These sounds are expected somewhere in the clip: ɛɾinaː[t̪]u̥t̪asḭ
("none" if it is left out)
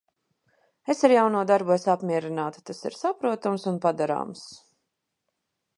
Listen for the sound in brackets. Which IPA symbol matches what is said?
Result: t̪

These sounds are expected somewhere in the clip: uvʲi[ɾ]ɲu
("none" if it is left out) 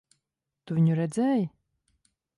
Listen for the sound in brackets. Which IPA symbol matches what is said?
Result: none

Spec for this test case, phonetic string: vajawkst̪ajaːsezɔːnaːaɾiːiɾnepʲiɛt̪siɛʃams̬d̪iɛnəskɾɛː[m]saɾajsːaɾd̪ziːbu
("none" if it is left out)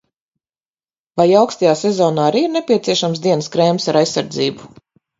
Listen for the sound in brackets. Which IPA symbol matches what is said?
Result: m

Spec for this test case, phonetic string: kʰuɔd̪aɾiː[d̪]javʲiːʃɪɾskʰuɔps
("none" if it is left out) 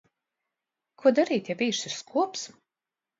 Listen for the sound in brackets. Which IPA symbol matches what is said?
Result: t̪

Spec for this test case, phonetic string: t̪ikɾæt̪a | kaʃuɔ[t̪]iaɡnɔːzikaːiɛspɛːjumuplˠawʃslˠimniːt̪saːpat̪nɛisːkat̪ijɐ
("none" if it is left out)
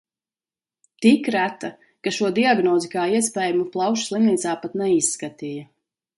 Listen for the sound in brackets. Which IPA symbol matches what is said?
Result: d̪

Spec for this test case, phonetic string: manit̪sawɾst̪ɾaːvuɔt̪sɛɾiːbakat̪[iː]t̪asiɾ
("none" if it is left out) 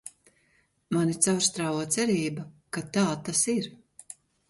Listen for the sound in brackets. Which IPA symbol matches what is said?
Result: aː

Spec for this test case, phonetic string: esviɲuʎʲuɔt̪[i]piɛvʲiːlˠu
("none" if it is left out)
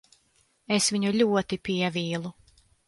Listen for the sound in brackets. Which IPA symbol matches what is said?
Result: i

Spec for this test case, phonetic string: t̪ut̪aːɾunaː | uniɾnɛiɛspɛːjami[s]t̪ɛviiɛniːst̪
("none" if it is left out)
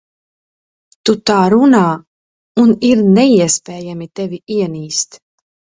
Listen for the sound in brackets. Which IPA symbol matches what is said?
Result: none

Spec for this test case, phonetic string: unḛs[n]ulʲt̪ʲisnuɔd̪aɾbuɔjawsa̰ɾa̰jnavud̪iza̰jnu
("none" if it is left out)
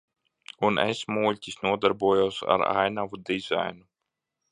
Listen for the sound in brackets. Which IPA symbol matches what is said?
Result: m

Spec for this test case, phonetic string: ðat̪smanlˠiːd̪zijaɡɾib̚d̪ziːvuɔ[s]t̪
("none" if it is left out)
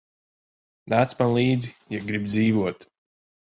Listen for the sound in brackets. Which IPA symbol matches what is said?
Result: none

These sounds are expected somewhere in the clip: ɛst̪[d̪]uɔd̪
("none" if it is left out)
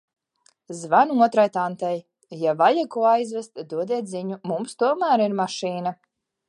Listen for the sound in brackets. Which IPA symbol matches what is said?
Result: d̪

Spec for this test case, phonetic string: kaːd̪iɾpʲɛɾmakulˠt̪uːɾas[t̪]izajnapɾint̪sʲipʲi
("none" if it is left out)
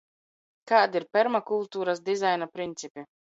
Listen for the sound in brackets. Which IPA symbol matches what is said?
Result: d̪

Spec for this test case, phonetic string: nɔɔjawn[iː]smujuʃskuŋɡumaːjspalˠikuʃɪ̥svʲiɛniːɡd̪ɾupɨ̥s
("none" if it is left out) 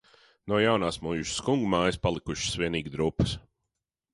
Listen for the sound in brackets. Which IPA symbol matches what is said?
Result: aː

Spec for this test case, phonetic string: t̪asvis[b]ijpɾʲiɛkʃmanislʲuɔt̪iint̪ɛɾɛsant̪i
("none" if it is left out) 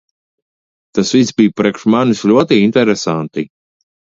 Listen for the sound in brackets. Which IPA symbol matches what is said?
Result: b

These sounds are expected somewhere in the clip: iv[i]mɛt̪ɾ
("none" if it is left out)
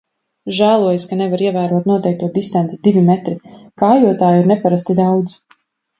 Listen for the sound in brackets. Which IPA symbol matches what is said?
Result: i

